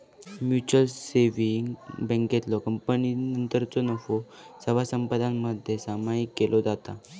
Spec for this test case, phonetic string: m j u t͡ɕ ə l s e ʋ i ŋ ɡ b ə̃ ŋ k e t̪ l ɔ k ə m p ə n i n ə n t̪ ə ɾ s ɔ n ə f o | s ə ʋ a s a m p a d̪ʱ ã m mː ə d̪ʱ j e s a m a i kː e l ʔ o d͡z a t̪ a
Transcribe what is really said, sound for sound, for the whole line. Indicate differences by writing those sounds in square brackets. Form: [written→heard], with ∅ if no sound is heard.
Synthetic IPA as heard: m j u t͡ɕ ə l s e ʋ i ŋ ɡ b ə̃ ŋ k e t̪ l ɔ k ə m p ə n i n ə n t̪ ə ɾ [s→t͡s] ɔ n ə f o | s ə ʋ a s [a→ə] m p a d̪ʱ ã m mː ə d̪ʱ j e s a m a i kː e l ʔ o d͡z a t̪ a

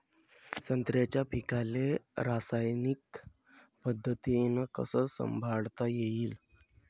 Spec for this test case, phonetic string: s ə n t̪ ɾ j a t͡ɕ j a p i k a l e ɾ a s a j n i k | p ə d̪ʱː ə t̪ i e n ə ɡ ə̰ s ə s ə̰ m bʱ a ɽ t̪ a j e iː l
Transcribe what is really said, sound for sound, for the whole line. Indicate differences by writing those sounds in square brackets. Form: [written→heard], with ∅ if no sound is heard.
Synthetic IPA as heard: s ə n t̪ ɾ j a t͡ɕ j a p i k a l e ɾ a s a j n i k | p ə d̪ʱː ə t̪ i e n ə [ɡ→k] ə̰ s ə s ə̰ m bʱ a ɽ t̪ a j e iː l

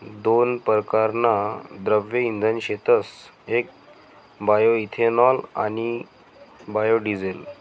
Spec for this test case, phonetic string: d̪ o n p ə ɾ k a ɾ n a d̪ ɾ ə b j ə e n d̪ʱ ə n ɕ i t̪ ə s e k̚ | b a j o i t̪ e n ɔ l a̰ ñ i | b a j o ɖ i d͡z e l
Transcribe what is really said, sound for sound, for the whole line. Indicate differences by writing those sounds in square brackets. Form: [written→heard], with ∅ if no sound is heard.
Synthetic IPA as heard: d̪ o n p ə ɾ k a ɾ n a d̪ ɾ ə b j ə [e→i] n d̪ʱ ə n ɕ [i→e] t̪ ə s e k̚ | b a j o i [t̪→t̪ʰ] e n ɔ l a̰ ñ i | b a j o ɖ i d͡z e l

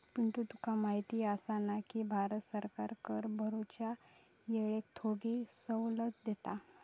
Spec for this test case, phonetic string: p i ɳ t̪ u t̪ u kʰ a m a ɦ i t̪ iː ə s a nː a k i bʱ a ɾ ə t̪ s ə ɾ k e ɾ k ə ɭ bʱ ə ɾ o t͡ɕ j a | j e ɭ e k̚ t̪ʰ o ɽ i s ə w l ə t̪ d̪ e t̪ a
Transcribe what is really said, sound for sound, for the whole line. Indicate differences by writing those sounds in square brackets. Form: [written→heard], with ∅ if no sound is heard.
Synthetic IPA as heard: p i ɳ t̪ u t̪ u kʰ a m a ɦ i t̪ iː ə s a [nː→n] a k i bʱ a ɾ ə t̪ s ə ɾ k [e→a] ɾ k ə [ɭ→ɾ] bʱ ə ɾ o t͡ɕ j a | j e ɭ e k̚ t̪ʰ o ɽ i s ə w l ə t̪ d̪ e t̪ a

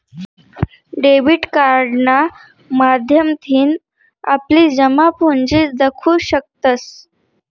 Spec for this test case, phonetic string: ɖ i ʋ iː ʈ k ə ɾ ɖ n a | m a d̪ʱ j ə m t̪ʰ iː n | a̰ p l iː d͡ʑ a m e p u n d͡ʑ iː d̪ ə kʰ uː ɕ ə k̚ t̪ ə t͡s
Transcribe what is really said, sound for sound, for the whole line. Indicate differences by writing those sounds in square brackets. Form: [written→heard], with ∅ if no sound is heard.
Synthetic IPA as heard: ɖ [i→e] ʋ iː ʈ k [ə→a] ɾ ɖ n a | m a d̪ʱ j ə m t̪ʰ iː n | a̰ p l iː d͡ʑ [a→ə] m [e→a] p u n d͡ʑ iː d̪ ə kʰ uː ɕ ə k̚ t̪ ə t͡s

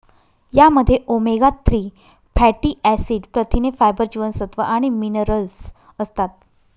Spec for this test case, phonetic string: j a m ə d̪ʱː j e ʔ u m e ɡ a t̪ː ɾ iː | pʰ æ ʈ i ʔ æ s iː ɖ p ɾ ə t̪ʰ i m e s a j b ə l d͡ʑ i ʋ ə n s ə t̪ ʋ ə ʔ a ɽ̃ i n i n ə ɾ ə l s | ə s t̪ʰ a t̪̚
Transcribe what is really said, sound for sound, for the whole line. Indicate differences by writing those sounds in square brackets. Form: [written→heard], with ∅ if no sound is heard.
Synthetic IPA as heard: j a m ə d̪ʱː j e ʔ [u→o] m e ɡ a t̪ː ɾ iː | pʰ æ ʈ i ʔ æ s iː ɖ p ɾ ə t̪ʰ i [m→n] e [s→f] a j b ə [l→ɾ] d͡ʑ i ʋ ə n s ə t̪ ʋ ə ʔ a ɽ̃ i [n→m] i n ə ɾ ə l s | ə s [t̪ʰ→t̪] a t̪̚

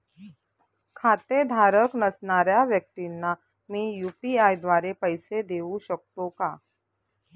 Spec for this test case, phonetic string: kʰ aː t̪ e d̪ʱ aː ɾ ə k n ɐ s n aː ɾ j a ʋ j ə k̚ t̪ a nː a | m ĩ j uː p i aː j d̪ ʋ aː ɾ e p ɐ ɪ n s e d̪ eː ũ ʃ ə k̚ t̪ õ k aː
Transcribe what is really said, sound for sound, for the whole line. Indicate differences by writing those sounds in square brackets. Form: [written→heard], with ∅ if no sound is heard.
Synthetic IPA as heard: kʰ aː t̪ e d̪ʱ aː ɾ ə k n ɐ s n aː ɾ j a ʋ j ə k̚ t̪ [a→i] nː a | m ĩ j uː p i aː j d̪ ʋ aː ɾ e p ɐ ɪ [n→∅] s e d̪ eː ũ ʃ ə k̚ t̪ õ k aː

